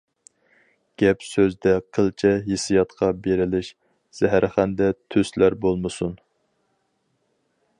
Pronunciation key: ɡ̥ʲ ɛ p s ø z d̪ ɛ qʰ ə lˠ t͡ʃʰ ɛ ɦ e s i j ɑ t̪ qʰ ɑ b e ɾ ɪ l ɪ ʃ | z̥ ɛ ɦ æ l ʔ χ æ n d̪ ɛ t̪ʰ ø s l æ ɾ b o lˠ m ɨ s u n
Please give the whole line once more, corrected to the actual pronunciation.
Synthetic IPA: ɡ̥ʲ ɛ p s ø z d̪ ɛ qʰ ə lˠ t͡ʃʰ ɛ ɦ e s i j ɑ t̪ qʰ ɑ b e ɾ ɪ l ɪ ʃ | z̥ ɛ ɦ æ ɾ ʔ χ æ n d̪ ɛ t̪ʰ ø s l æ ɾ b o lˠ m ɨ s u n